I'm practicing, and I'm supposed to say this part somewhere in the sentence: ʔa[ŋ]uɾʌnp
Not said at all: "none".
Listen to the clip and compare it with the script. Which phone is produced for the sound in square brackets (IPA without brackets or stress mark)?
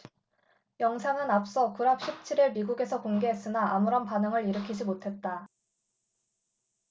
m